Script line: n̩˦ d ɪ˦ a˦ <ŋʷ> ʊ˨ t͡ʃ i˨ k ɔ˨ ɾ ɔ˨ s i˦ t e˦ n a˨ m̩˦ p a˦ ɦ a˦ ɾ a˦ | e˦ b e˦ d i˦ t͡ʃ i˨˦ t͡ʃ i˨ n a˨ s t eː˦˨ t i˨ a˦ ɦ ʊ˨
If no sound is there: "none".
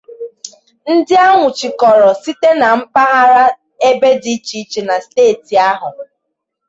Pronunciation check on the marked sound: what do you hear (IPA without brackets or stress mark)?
ŋʷ